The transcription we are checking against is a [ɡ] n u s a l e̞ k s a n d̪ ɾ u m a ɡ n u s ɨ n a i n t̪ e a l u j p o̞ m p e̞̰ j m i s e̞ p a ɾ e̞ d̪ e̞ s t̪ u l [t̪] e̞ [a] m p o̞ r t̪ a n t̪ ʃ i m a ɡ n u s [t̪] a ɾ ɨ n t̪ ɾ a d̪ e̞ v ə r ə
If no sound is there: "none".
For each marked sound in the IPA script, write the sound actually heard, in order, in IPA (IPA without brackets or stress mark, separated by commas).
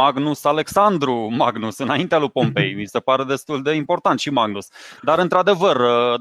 ɡ, d̪, i, d̪